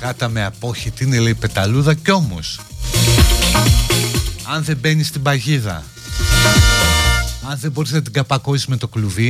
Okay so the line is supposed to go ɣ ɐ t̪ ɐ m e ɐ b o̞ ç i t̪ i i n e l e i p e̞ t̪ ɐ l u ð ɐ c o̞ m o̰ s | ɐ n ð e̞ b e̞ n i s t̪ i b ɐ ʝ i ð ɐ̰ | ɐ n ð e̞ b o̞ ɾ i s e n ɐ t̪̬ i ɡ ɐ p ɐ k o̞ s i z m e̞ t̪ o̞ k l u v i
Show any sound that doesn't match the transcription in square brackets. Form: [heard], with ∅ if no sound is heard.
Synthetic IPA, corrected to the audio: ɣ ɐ t̪ ɐ m e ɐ [p] o̞ ç i t̪ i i n e l e i p e̞ t̪ ɐ l u ð ɐ c o̞ m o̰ s | ɐ n ð e̞ b e̞ n i s t̪ i b ɐ ʝ i ð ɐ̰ | ɐ n ð e̞ b o̞ ɾ i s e n ɐ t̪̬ i ɡ ɐ p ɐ k o̞ s i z m e̞ t̪ o̞ k l u v i